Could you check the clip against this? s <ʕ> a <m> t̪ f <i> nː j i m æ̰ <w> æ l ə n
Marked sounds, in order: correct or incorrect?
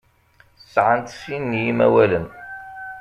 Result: correct, incorrect: n, correct, correct

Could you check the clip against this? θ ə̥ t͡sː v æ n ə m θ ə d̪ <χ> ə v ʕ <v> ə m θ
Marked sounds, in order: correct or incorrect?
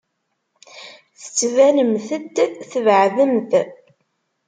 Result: incorrect: θ, incorrect: ð

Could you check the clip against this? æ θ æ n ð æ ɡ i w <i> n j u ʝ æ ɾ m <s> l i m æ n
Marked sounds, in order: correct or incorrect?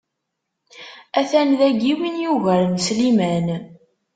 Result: correct, correct

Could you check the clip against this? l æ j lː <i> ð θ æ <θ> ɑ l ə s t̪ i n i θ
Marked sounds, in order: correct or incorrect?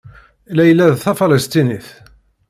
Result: incorrect: æ, incorrect: f

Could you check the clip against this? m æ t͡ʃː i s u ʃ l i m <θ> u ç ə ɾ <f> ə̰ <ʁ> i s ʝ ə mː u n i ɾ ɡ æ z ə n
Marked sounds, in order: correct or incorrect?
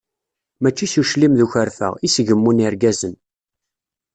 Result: incorrect: ð, correct, correct

